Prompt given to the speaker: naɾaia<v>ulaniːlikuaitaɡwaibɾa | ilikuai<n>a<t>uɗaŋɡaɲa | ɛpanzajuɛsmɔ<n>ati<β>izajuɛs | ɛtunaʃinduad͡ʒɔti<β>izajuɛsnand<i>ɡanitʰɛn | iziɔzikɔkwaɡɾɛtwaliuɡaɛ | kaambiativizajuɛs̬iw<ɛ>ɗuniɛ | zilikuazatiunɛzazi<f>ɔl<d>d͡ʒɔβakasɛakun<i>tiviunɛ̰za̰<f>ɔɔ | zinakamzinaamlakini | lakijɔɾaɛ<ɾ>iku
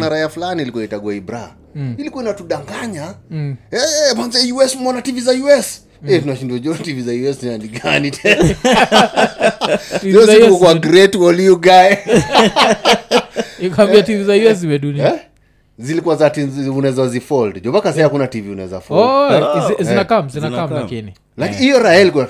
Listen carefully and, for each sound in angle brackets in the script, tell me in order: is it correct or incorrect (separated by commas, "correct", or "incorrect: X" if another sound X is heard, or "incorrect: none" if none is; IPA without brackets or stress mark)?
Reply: incorrect: f, correct, correct, correct, incorrect: v, incorrect: v, correct, correct, correct, correct, incorrect: a, correct, incorrect: l